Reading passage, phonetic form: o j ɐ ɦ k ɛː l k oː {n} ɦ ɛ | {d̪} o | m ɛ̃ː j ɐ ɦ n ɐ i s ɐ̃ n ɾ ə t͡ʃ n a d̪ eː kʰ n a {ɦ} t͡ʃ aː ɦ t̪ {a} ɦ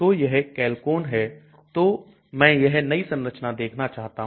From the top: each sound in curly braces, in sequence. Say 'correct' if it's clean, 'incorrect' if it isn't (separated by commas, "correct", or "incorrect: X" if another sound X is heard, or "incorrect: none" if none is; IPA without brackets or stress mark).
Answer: correct, incorrect: t̪, incorrect: none, correct